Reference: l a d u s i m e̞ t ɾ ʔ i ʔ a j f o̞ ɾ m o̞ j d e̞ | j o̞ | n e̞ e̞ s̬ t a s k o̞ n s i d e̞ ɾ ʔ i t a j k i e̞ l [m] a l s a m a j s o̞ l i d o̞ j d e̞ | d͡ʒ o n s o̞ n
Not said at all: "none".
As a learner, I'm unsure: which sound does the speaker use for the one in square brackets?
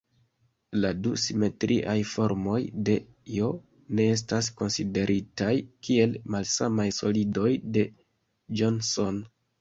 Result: m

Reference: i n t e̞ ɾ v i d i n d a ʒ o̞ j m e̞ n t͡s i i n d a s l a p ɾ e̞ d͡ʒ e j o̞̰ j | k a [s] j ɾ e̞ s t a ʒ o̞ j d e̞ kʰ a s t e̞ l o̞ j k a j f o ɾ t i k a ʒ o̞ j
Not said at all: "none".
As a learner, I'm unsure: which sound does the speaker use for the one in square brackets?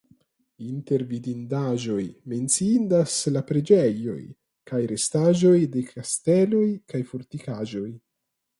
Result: none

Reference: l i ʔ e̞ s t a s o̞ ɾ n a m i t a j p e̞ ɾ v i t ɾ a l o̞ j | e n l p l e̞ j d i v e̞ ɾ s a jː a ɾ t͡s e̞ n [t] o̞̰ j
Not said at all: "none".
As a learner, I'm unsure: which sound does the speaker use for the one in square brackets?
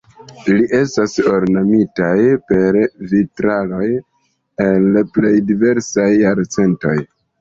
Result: t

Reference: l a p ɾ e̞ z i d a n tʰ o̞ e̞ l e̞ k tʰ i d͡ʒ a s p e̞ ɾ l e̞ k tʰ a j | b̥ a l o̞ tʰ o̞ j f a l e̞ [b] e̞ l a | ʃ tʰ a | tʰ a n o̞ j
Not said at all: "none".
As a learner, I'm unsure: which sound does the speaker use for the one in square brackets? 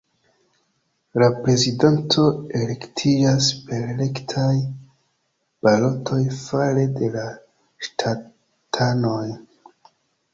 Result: d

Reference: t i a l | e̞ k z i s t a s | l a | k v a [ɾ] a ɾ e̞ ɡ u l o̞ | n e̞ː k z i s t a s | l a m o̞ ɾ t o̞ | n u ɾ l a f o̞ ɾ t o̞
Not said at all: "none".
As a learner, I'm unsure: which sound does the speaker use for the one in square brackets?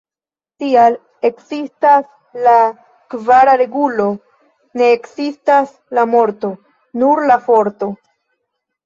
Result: ɾ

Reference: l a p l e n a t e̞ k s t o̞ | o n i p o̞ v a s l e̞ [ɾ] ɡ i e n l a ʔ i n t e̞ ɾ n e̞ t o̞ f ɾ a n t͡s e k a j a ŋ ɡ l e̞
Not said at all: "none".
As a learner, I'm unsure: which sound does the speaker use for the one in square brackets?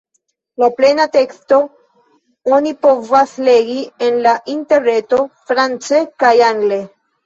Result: none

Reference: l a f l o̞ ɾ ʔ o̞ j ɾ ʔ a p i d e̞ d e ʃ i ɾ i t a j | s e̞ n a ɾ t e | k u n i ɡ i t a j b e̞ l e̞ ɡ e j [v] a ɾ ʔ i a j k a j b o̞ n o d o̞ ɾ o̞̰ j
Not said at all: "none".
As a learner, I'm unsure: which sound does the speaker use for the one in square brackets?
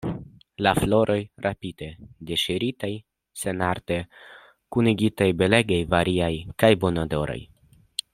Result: v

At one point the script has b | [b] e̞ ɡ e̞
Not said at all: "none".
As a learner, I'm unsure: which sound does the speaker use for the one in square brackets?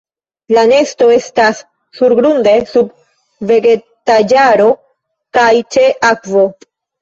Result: v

